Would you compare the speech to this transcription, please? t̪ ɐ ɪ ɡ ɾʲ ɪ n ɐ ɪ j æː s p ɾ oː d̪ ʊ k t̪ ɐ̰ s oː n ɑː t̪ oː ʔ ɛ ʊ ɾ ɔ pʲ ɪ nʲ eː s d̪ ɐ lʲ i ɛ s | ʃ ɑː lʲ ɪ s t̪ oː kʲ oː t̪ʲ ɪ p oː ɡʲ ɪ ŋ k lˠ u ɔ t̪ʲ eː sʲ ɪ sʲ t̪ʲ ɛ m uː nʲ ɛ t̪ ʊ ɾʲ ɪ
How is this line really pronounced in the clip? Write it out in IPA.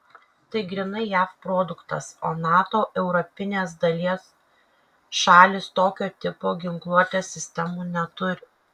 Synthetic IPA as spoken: t̪ ɐ ɪ ɡ ɾʲ ɪ n ɐ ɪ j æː f p ɾ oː d̪ ʊ k t̪ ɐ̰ s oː n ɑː t̪ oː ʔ ɛ ʊ ɾ ɔ pʲ ɪ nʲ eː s d̪ ɐ lʲ i ɛ s | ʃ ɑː lʲ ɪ s t̪ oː kʲ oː t̪ʲ ɪ p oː ɡʲ ɪ ŋ k lˠ u ɔ t̪ʲ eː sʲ ɪ sʲ t̪ʲ ɛ m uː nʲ ɛ t̪ ʊ ɾʲ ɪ